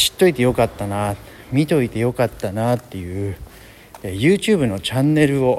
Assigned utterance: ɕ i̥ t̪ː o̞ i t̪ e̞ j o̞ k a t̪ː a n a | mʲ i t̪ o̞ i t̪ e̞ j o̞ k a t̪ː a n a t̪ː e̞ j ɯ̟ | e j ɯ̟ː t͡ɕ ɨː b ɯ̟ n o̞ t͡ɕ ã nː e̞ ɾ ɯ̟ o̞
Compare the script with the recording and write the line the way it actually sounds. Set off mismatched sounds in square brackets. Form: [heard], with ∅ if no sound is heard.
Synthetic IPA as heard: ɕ i̥ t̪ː o̞ i t̪ e̞ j o̞ k a t̪ː a n a | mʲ i t̪ o̞ i t̪ e̞ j o̞ k a t̪ː a n a t̪ː e̞ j ɯ̟ | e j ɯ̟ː t͡ɕ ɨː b ɯ̟ n o̞ t͡ɕ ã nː e̞ ɾ ɯ̟ o̞